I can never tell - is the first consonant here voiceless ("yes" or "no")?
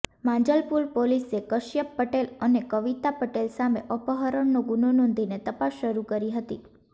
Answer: no